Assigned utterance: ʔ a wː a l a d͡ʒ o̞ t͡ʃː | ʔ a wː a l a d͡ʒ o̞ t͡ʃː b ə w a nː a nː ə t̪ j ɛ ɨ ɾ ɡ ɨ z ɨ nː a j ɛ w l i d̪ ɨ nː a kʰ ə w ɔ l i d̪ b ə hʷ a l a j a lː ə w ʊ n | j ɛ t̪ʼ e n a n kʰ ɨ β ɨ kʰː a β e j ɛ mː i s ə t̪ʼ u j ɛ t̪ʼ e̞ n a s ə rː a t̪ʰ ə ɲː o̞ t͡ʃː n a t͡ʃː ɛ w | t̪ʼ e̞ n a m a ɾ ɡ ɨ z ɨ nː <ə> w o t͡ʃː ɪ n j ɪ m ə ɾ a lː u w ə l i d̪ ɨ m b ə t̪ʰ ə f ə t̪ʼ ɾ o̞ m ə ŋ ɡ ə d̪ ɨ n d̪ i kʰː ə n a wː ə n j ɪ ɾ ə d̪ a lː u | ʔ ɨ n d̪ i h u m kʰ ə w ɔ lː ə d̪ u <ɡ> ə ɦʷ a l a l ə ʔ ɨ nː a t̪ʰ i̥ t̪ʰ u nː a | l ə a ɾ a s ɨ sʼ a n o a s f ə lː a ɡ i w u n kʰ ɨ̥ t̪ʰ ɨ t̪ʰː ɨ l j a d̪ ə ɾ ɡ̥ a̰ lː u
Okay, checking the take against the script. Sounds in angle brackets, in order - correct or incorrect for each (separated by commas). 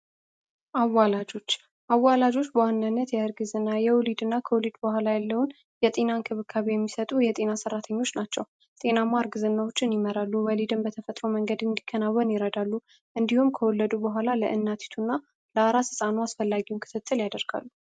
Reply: incorrect, incorrect